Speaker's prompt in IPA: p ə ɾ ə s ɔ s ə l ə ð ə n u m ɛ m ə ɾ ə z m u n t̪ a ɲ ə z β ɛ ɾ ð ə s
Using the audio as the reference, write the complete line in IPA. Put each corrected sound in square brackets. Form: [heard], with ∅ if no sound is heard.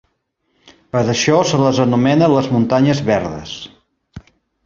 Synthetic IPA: p ə ɾ ə [ʃ] ɔ s ə l ə [z] ə n u m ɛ [n] ə [l] ə z m u n t̪ a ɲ ə z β ɛ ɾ ð ə s